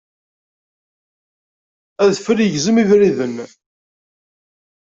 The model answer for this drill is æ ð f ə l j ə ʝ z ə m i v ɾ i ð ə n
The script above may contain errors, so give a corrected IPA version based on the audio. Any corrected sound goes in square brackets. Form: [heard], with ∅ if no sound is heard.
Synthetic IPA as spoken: æ ð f ə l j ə ʝ z ə m i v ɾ i ð ə n